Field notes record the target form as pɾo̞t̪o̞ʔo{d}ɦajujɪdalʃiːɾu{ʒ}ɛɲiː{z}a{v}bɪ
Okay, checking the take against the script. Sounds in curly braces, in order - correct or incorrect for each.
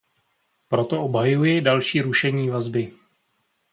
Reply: incorrect: b, incorrect: ʃ, incorrect: v, incorrect: z

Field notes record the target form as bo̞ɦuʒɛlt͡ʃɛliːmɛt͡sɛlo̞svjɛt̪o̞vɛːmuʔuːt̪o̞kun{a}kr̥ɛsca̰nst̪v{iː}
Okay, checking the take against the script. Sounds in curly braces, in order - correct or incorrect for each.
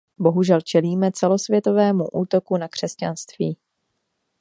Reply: correct, correct

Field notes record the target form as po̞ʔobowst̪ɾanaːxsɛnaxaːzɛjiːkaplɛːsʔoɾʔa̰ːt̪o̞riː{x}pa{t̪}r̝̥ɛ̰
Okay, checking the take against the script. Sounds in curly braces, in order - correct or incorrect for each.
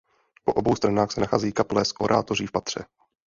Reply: incorrect: f, correct

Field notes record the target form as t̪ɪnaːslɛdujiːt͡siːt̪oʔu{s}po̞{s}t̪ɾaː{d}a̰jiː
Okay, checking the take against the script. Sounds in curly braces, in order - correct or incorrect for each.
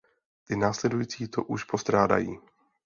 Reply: incorrect: ʃ, correct, correct

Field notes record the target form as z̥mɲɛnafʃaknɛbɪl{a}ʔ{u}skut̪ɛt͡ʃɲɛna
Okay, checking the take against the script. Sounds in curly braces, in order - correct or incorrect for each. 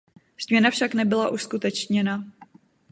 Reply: correct, correct

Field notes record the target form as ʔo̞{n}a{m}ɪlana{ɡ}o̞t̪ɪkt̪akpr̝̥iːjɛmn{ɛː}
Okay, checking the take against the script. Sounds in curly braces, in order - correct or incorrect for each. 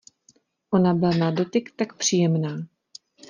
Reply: correct, incorrect: b, incorrect: d, incorrect: aː

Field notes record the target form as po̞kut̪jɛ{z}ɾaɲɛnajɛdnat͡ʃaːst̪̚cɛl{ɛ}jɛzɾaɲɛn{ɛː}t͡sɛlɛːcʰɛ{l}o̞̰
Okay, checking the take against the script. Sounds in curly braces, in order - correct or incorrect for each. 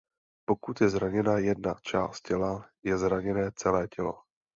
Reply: correct, incorrect: a, correct, correct

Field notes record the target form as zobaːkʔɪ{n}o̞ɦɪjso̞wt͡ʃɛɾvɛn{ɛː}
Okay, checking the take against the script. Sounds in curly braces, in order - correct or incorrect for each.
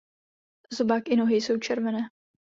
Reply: correct, correct

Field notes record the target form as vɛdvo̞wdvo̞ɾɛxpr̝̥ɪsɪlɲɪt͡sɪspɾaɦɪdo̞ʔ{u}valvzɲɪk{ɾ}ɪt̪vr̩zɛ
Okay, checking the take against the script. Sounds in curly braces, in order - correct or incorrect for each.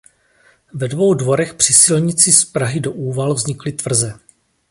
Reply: incorrect: uː, incorrect: l

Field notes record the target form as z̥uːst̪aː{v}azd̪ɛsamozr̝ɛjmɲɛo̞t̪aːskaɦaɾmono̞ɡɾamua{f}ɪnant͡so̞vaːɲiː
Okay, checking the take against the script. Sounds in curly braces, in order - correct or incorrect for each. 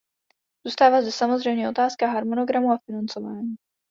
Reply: correct, correct

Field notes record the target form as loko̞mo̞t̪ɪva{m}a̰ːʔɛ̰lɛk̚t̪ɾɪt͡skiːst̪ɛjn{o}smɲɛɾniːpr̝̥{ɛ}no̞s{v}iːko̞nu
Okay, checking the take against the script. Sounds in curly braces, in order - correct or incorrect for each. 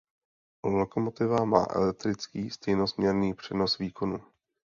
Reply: correct, correct, correct, correct

